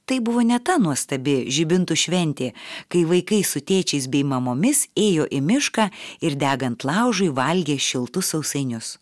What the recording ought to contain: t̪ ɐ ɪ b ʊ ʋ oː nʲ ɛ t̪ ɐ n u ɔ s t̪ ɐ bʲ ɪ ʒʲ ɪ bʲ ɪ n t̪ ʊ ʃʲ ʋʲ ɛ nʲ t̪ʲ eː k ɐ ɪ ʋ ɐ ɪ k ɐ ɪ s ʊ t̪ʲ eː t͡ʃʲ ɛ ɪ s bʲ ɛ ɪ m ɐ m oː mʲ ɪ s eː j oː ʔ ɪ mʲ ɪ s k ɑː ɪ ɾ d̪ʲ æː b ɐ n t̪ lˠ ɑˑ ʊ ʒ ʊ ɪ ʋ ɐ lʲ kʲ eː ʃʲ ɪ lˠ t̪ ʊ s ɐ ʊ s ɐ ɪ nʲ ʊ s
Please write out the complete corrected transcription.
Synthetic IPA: t̪ ɐ ɪ b ʊ ʋ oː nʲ ɛ t̪ ɐ n u ɔ s t̪ ɐ bʲ ɪ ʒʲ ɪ bʲ ɪ n t̪ ʊ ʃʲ ʋʲ ɛ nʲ t̪ʲ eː k ɐ ɪ ʋ ɐ ɪ k ɐ ɪ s ʊ t̪ʲ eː t͡ʃʲ ɛ ɪ s bʲ ɛ ɪ m ɐ m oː mʲ ɪ s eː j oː ʔ ɪ mʲ ɪ ʃ k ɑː ɪ ɾ d̪ʲ æː ɡ ɐ n t̪ lˠ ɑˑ ʊ ʒ ʊ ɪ ʋ ɐ lʲ ɡʲ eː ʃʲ ɪ lˠ t̪ ʊ s ɐ ʊ s ɐ ɪ nʲ ʊ s